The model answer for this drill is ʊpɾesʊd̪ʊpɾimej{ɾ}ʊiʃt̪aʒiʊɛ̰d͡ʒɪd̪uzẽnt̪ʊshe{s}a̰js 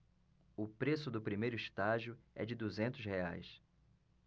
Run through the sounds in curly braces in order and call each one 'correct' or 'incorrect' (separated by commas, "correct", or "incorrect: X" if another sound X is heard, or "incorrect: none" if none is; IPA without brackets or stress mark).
correct, incorrect: none